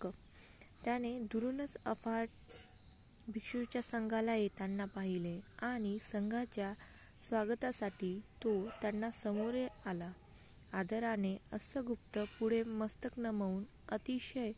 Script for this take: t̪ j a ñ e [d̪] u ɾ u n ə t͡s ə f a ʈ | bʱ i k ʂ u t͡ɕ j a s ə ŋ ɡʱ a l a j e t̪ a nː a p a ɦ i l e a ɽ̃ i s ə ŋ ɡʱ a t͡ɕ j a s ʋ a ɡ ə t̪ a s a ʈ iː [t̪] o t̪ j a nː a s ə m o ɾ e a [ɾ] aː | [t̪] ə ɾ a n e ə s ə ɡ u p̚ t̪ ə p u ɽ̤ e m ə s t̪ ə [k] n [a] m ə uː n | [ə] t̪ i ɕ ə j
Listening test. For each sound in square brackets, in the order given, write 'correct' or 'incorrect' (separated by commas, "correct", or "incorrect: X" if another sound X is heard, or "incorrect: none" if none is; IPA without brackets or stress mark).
correct, correct, incorrect: l, incorrect: d̪, correct, incorrect: ə, correct